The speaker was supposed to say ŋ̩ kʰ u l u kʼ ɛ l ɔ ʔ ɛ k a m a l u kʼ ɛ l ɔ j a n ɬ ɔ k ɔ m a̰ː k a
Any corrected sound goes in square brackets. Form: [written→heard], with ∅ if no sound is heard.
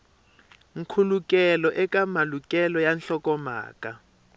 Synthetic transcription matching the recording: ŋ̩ kʰ u l u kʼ ɛ l ɔ ʔ ɛ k a m a l u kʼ ɛ l ɔ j a n ɬ ɔ k ɔ m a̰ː k a